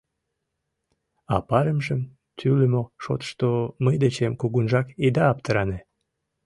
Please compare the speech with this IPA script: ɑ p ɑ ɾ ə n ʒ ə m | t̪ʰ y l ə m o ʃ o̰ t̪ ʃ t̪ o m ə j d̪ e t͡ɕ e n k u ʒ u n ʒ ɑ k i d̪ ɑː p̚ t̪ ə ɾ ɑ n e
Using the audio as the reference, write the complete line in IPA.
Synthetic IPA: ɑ p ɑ ɾ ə m ʒ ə m | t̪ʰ y l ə m o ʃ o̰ t̪ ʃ t̪ o m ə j d̪ e t͡ɕ e m k u ɣ u n ʒ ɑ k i d̪ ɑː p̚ t̪ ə ɾ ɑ n e